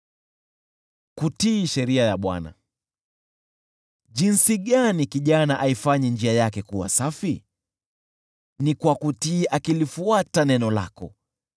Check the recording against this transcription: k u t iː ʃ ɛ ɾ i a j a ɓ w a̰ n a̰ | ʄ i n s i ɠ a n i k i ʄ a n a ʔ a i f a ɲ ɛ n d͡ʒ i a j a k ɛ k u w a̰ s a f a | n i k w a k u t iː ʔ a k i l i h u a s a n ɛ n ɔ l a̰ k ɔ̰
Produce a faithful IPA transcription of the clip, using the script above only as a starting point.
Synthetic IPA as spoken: k u t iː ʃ ɛ ɾ i a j a ɓ w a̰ n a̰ | ʄ i n s i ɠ a n i k i ʄ a n a ʔ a i f a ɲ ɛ n d͡ʒ i a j a k ɛ k u w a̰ s a f i | n i k w a k u t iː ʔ a k i l i f u a t a n ɛ n ɔ l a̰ k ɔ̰